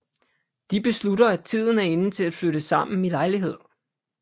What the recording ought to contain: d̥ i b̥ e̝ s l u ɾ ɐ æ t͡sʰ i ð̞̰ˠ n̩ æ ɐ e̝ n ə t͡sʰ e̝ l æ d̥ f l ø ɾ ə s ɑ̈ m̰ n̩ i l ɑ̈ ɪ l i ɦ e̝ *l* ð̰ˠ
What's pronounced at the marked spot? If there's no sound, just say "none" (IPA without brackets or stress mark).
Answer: none